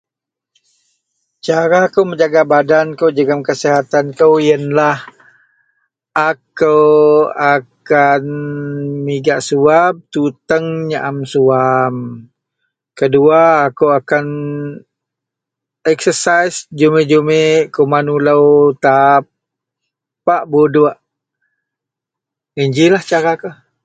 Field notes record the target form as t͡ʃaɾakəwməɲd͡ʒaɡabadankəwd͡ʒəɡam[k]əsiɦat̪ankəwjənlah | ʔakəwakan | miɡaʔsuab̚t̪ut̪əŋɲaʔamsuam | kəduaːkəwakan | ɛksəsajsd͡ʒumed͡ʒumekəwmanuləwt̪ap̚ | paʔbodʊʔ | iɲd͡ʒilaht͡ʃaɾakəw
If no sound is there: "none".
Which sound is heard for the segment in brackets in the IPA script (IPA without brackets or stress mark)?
k